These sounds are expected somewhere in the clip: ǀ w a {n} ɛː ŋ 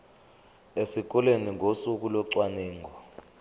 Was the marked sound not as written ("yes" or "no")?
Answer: no